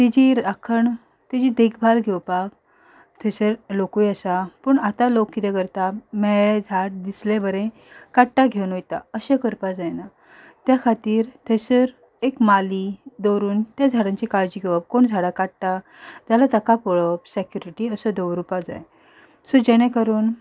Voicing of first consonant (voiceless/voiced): voiceless